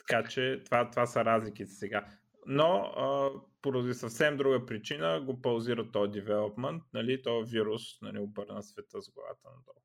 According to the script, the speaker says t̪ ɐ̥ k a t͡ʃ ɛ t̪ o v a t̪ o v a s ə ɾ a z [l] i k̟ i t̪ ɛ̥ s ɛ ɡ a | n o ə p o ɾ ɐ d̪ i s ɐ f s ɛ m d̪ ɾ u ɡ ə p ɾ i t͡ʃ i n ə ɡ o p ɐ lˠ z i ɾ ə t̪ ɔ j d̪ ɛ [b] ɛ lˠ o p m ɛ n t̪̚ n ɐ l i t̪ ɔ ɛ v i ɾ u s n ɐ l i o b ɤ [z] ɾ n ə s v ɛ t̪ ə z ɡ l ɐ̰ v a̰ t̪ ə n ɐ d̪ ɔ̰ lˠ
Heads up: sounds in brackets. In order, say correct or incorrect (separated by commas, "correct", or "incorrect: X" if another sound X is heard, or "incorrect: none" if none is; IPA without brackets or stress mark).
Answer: correct, incorrect: v, incorrect: none